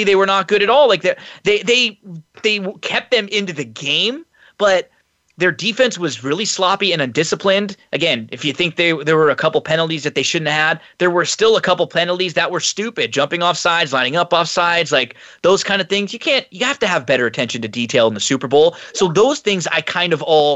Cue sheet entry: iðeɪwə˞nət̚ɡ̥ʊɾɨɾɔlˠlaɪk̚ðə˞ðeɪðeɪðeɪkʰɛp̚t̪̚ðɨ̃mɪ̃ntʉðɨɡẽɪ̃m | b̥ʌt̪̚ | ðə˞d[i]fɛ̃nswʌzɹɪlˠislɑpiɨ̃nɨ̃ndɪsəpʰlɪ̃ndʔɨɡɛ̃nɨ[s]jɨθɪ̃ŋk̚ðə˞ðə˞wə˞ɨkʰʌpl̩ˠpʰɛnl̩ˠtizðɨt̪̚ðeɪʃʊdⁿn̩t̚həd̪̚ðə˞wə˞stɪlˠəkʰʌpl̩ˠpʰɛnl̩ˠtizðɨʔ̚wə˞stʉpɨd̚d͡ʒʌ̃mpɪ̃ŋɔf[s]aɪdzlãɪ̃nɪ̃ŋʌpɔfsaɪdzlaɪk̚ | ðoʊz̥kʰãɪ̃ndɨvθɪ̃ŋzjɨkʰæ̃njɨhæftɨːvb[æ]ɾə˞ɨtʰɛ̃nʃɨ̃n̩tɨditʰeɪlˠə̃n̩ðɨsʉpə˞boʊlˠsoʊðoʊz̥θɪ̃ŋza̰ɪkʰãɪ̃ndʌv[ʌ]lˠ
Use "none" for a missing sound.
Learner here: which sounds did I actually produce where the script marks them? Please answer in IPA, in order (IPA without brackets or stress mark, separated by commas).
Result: i, f, s, ɛ, ɔ